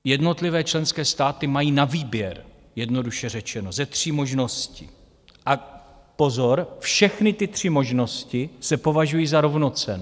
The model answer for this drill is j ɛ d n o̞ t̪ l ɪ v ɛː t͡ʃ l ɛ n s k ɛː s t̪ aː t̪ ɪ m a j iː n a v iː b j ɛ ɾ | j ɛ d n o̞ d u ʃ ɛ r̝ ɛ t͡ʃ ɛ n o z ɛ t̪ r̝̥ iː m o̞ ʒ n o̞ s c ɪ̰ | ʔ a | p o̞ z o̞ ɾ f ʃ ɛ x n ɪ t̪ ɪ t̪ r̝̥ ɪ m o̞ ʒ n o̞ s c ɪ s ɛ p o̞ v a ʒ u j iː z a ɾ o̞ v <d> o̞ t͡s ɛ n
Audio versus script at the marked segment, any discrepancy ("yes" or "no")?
yes